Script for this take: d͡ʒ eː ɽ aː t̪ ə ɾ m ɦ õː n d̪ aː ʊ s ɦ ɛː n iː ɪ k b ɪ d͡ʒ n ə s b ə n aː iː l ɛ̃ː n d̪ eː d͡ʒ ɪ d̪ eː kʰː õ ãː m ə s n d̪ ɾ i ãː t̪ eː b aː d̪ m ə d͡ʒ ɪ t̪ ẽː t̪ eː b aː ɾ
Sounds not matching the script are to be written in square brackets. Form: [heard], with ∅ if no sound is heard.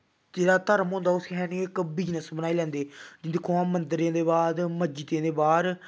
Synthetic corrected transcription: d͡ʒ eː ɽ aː t̪ ə ɾ m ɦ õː n d̪ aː ʊ s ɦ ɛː n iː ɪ k b ɪ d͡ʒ n ə s b ə n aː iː l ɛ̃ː n d̪ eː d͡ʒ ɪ d̪ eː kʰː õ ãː m ə [∅] n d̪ ɾ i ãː [d̪] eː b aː d̪ m ə d͡ʒ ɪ t̪ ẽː [d̪] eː b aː ɾ